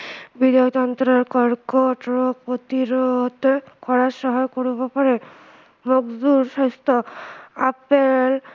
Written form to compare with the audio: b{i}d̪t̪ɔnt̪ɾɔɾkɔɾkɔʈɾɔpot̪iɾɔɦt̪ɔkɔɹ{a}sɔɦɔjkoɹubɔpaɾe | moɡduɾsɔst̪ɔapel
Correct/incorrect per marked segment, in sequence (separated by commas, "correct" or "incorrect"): correct, correct